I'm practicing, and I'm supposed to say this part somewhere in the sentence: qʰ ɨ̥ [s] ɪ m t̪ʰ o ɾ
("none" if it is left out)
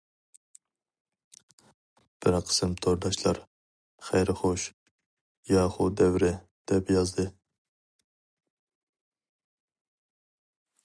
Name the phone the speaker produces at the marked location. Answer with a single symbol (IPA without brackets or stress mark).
s